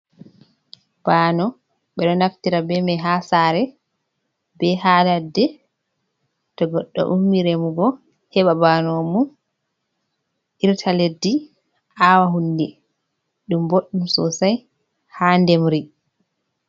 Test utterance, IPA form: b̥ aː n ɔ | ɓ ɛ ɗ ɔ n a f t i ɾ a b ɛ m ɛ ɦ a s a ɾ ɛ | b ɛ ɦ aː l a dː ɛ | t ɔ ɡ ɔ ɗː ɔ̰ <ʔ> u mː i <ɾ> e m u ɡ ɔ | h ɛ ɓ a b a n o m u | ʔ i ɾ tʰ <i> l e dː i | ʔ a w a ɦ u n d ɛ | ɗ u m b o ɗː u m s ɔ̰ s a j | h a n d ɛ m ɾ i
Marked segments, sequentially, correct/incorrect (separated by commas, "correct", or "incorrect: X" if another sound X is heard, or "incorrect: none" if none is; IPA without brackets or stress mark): correct, correct, incorrect: a